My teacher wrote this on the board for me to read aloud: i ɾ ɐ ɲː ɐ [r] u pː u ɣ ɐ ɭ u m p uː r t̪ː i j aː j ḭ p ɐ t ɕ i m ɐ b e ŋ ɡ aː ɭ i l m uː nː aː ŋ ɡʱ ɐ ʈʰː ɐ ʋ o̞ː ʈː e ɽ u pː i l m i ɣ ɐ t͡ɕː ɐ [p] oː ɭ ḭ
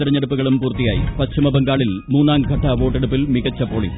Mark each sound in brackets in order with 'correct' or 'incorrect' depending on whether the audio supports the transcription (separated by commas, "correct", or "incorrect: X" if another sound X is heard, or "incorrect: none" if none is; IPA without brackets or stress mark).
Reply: incorrect: ɽ, correct